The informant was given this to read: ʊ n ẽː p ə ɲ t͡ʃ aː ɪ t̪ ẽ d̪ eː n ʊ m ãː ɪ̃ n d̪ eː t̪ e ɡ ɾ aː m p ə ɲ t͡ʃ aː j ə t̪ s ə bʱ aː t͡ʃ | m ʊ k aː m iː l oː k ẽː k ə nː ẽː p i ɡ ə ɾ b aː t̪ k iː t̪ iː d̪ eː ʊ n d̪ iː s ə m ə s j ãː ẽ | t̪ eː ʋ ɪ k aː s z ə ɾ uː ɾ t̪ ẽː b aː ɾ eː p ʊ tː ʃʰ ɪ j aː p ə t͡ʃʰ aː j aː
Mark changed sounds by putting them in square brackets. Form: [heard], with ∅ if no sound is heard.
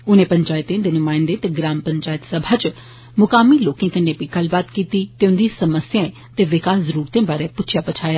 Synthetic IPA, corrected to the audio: ʊ n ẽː p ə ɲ t͡ʃ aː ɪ t̪ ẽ d̪ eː n ʊ m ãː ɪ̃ n d̪ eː t̪ e ɡ ɾ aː m p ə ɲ t͡ʃ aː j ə t̪ s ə bʱ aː t͡ʃ | m ʊ k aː m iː l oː k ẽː k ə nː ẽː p i ɡ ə [l] b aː t̪ k iː t̪ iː [t̪] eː ʊ n d̪ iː s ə m ə s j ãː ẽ | t̪ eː ʋ ɪ k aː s z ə ɾ uː ɾ t̪ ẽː b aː ɾ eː p ʊ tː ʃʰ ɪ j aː p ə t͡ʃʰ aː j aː